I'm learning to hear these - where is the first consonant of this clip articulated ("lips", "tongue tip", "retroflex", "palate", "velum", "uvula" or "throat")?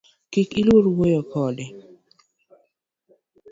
velum